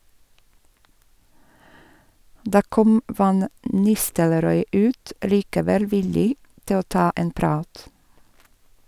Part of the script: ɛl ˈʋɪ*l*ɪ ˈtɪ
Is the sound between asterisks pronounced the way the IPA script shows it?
yes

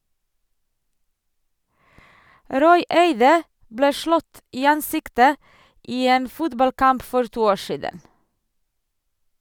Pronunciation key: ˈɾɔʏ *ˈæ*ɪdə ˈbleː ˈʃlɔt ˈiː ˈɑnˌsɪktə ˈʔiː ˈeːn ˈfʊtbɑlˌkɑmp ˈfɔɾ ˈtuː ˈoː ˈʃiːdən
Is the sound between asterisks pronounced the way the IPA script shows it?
no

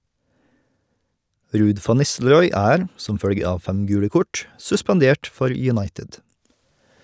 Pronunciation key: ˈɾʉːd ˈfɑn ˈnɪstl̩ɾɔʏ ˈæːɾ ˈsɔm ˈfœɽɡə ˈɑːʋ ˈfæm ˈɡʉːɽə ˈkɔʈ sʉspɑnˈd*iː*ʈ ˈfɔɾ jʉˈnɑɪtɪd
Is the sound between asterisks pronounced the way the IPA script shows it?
no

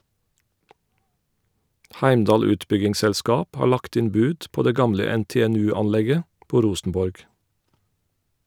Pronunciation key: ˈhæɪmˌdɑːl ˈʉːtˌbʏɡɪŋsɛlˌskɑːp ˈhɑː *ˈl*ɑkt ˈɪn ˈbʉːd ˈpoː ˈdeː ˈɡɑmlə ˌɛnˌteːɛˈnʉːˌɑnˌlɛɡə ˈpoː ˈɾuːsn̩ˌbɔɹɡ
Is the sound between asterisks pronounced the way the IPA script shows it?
no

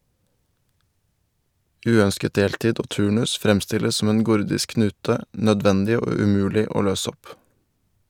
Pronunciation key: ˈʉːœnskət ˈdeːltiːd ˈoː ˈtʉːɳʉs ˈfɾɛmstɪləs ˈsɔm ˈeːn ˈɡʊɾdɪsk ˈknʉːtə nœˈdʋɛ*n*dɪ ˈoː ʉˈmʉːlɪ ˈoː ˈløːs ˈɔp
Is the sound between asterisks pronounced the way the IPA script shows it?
yes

